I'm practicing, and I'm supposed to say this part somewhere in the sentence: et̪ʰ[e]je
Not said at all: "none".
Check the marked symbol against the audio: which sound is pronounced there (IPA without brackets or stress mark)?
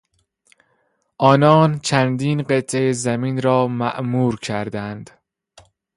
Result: e